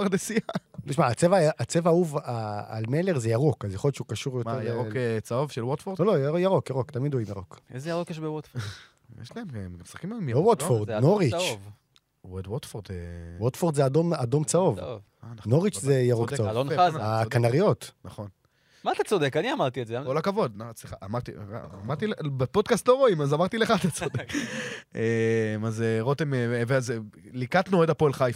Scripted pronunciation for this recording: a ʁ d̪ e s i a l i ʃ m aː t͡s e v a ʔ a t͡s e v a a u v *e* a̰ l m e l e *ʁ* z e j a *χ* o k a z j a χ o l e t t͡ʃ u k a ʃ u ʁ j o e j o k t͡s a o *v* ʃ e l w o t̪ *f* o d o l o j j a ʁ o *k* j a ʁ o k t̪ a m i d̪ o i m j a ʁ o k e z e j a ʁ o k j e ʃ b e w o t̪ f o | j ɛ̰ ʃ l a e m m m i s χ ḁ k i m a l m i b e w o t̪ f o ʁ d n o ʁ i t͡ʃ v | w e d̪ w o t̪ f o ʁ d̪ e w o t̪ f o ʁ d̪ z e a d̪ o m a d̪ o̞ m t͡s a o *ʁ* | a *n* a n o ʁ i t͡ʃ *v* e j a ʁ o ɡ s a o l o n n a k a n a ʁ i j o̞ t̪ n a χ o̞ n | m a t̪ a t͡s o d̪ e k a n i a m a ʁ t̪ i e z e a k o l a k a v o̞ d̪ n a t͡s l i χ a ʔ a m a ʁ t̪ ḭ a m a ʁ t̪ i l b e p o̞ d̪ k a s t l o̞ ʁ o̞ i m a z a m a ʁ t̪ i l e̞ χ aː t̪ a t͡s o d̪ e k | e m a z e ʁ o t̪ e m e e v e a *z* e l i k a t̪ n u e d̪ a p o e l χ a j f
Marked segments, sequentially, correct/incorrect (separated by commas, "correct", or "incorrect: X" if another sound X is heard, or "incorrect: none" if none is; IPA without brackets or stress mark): incorrect: a, correct, incorrect: ʁ, correct, correct, correct, incorrect: v, correct, incorrect: z, correct